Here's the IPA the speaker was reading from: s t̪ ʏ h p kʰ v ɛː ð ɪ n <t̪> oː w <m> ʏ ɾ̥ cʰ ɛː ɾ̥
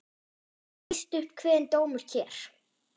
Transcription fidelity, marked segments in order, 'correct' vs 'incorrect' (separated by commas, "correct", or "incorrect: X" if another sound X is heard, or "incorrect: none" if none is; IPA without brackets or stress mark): correct, correct